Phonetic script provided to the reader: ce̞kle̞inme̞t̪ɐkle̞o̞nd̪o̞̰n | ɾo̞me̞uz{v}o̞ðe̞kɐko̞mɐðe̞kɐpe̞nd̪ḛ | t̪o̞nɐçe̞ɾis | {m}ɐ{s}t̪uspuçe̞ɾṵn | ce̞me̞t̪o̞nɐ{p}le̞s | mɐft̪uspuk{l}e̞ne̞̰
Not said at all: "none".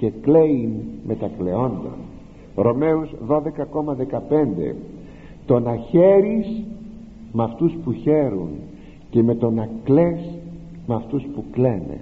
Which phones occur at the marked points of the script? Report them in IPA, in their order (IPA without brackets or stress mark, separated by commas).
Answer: ð, m, f, k, l